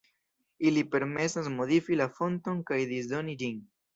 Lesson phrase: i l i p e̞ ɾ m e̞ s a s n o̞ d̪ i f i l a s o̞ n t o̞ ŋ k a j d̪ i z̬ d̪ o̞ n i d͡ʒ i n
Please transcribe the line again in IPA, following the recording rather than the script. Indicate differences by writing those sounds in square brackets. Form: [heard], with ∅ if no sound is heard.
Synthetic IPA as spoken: i l i p e̞ ɾ m e̞ s a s [m] o̞ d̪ i f i l a [f] o̞ n t o̞ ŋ k a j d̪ i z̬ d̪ o̞ n i d͡ʒ i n